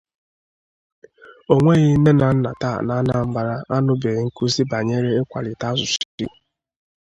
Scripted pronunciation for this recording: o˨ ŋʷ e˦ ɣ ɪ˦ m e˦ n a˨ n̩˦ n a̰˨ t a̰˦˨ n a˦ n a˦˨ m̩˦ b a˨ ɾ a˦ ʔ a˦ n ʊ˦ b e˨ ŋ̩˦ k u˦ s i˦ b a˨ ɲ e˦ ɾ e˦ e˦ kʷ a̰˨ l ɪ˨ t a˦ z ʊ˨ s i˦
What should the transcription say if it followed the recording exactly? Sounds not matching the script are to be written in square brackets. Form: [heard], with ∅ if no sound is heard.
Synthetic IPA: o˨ ŋʷ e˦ ɣ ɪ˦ [n] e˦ n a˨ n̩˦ n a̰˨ t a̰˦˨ n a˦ n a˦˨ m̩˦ b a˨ ɾ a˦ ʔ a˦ n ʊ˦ b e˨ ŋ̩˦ k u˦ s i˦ b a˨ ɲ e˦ ɾ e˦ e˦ kʷ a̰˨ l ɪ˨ t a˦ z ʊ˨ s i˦